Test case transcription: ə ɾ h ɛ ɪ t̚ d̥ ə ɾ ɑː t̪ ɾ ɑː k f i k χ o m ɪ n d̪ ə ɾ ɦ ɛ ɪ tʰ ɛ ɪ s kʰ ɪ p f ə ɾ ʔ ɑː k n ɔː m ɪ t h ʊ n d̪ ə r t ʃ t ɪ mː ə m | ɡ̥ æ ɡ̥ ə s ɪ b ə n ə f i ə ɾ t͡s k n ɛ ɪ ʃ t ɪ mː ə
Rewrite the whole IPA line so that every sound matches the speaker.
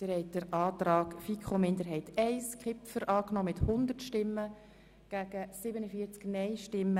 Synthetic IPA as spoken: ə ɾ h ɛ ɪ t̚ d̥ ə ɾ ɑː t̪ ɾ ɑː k f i k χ o m ɪ n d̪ ə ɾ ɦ ɛ ɪ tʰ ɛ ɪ s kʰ ɪ p f ə ɾ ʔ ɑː k n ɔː m ɪ t h ʊ n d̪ ə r t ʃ t ɪ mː ə | ɡ̥ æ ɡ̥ ə s ɪ b ə n ə f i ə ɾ t͡s k n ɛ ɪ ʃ t ɪ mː ə